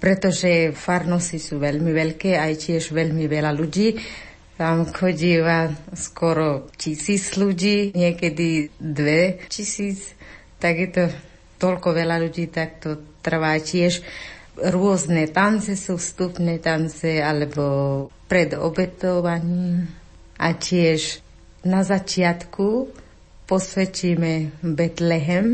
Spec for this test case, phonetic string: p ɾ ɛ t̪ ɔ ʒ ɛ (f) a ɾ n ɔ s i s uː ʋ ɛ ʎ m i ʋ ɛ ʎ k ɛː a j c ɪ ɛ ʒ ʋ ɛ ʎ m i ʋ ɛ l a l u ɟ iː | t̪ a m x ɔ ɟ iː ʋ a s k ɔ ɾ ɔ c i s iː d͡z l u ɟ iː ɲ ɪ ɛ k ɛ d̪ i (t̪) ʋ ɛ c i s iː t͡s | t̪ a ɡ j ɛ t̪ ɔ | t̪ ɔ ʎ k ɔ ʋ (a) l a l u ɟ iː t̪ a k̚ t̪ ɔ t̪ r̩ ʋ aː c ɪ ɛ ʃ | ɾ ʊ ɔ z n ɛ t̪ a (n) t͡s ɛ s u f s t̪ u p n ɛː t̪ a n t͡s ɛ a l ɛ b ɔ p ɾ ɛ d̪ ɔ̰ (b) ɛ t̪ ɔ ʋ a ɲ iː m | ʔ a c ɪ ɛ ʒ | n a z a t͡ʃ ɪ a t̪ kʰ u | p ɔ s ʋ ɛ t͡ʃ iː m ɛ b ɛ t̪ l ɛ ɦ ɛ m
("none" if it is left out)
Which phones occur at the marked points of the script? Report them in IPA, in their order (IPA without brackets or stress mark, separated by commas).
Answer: f, d̪, ɛ, n, b